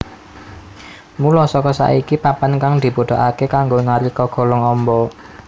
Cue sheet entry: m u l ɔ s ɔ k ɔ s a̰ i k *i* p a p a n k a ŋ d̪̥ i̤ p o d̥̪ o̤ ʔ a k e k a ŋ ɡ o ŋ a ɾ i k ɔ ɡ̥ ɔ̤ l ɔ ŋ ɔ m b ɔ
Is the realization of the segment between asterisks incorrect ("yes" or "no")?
no